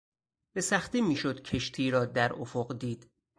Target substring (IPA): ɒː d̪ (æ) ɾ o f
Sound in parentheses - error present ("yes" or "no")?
no